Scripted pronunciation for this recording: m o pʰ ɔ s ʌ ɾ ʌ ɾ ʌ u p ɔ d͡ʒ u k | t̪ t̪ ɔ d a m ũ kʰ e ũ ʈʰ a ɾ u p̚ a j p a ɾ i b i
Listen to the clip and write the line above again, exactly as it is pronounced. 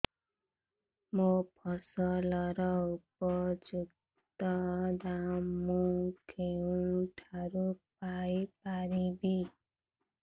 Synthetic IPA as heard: m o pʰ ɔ s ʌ l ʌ ɾ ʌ u p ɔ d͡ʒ u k | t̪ t̪ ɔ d a m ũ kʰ e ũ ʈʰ a ɾ u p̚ a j p a ɾ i b i